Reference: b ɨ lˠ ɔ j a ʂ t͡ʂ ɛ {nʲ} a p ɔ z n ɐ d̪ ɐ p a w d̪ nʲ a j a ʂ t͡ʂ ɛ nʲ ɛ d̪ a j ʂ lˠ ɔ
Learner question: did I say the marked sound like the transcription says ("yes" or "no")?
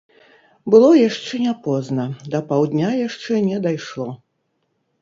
yes